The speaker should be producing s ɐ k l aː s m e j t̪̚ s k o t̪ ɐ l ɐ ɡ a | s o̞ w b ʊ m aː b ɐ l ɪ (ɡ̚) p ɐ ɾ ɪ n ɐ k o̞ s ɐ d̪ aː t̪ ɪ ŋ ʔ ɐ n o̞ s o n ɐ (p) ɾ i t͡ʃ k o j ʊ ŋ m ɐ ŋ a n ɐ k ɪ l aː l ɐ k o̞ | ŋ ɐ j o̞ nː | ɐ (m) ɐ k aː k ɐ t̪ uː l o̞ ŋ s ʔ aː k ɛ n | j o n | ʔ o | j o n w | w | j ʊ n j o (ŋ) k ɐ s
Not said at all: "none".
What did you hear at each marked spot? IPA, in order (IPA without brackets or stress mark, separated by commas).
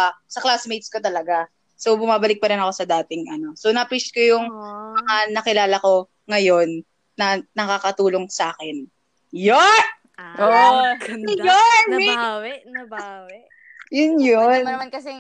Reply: k̚, p, n, n